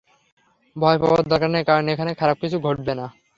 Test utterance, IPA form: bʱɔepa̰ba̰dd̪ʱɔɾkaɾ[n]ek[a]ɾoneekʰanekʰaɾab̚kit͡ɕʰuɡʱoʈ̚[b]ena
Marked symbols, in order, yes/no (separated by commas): yes, yes, yes